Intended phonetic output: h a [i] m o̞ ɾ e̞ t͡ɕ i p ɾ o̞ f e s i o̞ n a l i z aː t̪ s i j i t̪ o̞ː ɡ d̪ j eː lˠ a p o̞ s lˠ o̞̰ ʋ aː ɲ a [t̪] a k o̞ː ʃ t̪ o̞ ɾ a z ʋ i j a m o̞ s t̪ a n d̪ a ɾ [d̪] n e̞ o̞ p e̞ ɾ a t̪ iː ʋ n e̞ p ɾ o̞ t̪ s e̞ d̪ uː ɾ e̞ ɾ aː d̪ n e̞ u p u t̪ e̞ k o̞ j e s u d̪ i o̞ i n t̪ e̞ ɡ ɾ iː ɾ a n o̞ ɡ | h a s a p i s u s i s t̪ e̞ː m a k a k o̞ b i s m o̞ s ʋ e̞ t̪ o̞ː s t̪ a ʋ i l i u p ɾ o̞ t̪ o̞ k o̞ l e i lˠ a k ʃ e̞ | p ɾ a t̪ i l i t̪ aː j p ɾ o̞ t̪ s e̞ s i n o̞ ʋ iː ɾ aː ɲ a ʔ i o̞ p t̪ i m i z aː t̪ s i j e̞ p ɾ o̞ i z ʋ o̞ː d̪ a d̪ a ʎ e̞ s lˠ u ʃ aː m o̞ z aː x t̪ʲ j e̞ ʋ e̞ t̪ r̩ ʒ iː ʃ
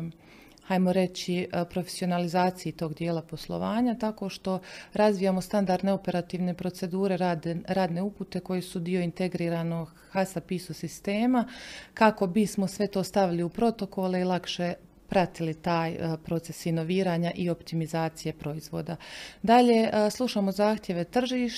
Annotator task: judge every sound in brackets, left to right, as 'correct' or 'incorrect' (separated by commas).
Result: incorrect, correct, correct